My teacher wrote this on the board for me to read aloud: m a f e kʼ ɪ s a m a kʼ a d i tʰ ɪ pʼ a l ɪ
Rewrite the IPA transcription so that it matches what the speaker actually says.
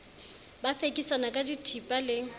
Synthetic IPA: b a f e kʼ i s a n a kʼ a d i tʰ i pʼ a l ɪ